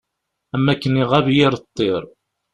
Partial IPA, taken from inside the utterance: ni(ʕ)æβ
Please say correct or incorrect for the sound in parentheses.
incorrect